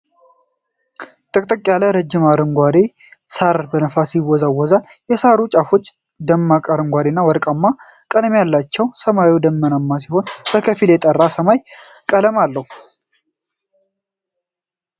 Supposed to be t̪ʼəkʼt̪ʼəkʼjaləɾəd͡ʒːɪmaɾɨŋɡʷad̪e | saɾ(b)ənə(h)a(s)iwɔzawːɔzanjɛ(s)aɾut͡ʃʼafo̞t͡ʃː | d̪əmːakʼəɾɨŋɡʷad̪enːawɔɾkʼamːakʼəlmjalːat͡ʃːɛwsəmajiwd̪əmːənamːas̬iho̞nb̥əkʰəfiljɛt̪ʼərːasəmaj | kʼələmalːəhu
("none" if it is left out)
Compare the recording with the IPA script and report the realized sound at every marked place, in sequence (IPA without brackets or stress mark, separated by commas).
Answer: b, f, s, s